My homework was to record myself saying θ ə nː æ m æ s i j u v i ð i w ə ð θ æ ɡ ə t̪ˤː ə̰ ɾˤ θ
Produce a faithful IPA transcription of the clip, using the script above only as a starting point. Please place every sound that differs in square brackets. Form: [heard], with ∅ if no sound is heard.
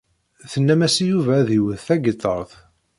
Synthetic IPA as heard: θ ə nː æ m æ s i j u v [æ] ð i w ə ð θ æ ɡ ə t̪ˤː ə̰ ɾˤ θ

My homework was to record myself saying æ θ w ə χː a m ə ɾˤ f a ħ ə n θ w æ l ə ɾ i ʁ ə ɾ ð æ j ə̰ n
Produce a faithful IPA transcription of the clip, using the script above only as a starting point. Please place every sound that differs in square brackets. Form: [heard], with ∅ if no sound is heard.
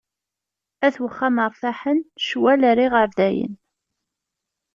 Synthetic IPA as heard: æ θ w ə χː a m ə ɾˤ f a ħ ə n [ʃ] w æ l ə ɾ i ʁ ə ɾ ð æ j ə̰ n

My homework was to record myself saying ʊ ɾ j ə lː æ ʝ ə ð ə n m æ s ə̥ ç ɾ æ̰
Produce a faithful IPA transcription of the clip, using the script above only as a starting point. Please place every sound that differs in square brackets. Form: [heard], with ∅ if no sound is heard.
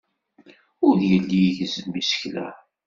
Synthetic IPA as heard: ʊ ɾ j ə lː [i] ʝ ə [z] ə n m [i] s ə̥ ç [l] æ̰

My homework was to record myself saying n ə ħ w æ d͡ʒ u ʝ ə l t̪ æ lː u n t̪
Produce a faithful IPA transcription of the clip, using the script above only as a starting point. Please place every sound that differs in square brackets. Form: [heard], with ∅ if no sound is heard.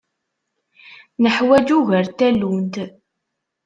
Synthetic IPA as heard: n ə ħ w æ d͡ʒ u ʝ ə [ɾ] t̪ æ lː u n t̪

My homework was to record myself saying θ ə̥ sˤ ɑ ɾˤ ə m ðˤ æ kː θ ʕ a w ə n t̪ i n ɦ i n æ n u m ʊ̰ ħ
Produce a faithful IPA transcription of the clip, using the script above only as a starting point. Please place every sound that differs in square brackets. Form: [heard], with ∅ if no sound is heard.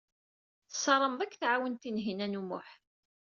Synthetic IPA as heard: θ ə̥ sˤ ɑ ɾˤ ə m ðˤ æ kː θ ʕ a w ə n t̪ i n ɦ i n æ n u m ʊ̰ ħ

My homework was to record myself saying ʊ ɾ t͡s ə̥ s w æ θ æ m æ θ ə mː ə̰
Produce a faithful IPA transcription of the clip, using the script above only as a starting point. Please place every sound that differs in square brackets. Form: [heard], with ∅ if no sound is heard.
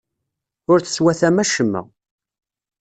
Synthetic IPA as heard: ʊ ɾ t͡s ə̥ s w æ θ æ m æ [ʃ] ə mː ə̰

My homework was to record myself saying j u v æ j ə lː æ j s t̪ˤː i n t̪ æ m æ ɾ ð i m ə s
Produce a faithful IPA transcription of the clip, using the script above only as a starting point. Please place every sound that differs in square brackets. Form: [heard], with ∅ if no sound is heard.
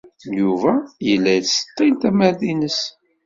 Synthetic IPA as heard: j u v æ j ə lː æ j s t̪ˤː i n t̪ æ m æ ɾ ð i [n] ə s

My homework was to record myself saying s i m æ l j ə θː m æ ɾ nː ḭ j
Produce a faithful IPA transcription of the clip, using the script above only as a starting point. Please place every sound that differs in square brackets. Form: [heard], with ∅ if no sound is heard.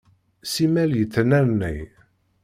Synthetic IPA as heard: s i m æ l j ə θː [n] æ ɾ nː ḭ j

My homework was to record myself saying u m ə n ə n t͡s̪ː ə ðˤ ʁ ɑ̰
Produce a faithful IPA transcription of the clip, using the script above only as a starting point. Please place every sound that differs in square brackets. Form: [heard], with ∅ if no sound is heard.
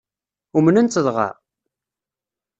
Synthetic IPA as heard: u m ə n ə n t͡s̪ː ə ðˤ ʁ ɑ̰

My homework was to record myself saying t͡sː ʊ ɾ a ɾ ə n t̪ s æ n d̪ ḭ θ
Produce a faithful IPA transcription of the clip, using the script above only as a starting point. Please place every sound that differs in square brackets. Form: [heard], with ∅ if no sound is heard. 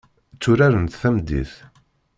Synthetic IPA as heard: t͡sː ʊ ɾ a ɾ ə n t̪ [θ] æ [m] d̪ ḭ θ

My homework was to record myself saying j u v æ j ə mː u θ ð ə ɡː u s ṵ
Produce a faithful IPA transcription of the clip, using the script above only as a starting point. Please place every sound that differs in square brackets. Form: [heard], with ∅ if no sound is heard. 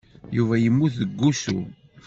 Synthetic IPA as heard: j u v æ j ə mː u θ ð ə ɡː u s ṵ

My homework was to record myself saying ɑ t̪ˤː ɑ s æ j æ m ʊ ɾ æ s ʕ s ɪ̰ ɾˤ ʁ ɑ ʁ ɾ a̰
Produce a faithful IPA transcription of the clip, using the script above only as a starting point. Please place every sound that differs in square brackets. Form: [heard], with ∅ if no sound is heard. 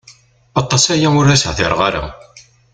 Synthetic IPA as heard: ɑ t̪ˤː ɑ s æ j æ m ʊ ɾ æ s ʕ [θ] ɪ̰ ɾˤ ʁ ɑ [∅] ɾ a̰

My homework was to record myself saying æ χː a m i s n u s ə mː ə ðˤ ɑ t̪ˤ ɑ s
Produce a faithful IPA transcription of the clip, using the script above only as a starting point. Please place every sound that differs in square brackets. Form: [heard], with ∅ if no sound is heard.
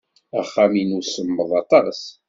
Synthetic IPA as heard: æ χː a m i [∅] n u s ə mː ə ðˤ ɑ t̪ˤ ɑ s

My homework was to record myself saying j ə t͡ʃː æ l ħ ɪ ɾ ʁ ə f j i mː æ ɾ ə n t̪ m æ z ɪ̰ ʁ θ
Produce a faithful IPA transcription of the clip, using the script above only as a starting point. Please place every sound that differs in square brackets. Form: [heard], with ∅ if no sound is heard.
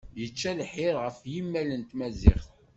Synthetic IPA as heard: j ə t͡ʃː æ l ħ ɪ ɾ ʁ ə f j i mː æ [l] ə n t̪ m æ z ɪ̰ [χ] θ

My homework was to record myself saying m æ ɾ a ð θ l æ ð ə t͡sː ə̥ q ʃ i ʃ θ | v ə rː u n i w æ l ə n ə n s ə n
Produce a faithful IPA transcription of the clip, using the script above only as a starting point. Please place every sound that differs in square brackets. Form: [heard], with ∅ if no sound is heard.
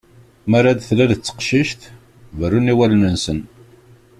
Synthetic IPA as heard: m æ ɾ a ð θ l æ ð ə t͡sː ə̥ q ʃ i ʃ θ | v ə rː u n i w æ l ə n ə n s ə n

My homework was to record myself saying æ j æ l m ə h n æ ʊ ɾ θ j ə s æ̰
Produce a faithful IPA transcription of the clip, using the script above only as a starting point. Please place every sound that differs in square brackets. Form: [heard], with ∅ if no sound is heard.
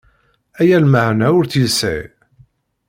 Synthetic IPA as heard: æ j æ l m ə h n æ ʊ ɾ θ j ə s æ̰

